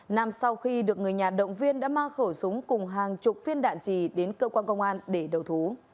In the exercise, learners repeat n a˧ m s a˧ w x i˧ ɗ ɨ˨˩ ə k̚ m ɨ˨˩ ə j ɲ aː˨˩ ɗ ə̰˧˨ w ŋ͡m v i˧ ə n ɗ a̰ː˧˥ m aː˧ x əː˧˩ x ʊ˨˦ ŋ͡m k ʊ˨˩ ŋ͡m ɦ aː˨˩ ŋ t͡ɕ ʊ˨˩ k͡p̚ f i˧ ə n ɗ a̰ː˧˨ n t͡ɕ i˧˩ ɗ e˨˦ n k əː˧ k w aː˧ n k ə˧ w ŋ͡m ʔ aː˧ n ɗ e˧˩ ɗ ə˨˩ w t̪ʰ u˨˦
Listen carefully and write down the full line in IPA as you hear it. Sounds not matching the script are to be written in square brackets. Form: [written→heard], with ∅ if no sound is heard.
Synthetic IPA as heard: n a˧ m s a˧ w x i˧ ɗ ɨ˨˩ ə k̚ [m→ŋ] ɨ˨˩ ə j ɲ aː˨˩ ɗ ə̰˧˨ w ŋ͡m v i˧ ə n ɗ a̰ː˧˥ m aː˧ x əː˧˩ [x→s] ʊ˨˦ ŋ͡m k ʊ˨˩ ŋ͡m ɦ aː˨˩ ŋ t͡ɕ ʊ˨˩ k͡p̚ f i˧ ə n ɗ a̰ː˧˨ n t͡ɕ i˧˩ ɗ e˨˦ n k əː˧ k w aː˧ n k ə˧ w ŋ͡m ʔ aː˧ n ɗ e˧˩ ɗ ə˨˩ w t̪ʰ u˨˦